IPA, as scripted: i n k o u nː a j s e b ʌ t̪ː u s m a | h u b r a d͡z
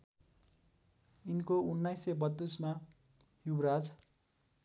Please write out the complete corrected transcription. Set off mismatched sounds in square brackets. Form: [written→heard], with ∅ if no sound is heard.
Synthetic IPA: i n k o u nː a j s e b ʌ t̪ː u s m a | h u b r a d͡z